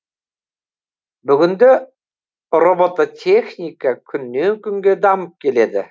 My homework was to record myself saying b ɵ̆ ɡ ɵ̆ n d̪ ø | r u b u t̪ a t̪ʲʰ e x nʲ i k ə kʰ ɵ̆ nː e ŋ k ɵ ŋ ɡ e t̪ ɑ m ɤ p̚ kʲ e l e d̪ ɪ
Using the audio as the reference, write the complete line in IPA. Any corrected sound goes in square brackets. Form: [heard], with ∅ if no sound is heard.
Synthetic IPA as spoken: b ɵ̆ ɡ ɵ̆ n d̪ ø | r [o] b [o] t̪ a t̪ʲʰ e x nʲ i k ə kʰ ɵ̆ nː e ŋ k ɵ ŋ ɡ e [d̪] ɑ m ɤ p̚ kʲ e l e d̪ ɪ